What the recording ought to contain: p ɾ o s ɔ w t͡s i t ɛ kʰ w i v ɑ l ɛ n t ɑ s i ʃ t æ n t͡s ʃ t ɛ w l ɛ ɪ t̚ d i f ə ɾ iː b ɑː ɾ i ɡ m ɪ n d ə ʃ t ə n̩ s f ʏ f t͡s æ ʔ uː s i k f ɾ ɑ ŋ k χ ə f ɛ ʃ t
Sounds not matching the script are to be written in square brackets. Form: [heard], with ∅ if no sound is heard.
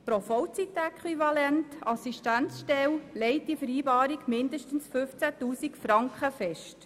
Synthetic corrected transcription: p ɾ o [f] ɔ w t͡s i t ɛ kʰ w i v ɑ l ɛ n t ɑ s i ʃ t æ n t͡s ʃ t ɛ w l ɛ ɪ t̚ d i f ə ɾ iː b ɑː ɾ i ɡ m ɪ n d ə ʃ t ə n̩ s f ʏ f t͡s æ [t] uː s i k f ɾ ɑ ŋ k χ ə f ɛ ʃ t